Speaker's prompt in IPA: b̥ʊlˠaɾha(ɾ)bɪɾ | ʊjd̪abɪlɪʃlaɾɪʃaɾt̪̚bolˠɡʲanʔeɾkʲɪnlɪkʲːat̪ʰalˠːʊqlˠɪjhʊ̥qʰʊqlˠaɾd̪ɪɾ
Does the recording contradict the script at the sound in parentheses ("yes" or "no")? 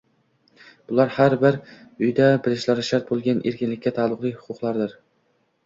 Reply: no